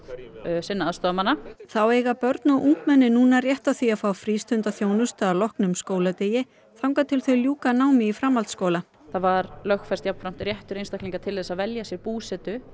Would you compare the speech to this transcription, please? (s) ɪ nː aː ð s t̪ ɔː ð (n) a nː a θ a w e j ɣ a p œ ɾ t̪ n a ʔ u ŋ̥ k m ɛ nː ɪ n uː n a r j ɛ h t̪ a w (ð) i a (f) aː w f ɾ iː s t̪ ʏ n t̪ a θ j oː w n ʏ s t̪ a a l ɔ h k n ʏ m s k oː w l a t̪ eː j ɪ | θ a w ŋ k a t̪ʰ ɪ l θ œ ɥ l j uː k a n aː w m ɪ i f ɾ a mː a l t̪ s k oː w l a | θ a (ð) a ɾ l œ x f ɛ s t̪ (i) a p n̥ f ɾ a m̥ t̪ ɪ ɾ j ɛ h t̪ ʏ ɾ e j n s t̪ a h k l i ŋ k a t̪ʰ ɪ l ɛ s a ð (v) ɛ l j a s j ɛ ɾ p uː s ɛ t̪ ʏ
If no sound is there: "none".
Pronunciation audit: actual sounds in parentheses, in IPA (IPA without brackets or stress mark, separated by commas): s, m, θ, f, v, j, v